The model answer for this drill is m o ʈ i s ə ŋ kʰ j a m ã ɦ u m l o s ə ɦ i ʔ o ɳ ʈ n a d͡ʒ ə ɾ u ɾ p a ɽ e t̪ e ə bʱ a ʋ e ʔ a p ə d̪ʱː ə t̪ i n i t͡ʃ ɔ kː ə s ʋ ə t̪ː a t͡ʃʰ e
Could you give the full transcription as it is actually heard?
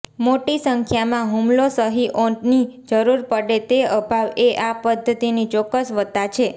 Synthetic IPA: m o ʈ i s ə ŋ kʰ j a m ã ɦ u m l o s ə ɦ i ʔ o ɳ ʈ n i d͡ʒ ə ɾ u ɾ p ə ɽ e t̪ e ə bʱ a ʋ e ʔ a p ə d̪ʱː ə t̪ i n i t͡ʃ ɔ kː ə s ʋ ə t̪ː a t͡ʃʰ e